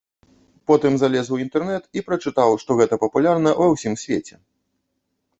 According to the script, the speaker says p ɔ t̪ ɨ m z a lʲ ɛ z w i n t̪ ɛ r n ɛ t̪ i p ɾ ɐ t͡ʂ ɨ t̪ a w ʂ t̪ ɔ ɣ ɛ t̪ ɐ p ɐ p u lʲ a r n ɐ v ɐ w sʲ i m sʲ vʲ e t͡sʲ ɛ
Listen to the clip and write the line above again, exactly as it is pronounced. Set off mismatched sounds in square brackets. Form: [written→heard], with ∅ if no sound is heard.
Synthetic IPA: p ɔ t̪ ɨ m z a lʲ ɛ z w i n t̪ ɛ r n ɛ t̪ i p ɾ ɐ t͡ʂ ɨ t̪ a w ʂ t̪ ɔ ɣ ɛ t̪ ɐ p ɐ p u lʲ a r n ɐ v ɐ w sʲ i m sʲ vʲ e t͡sʲ ɛ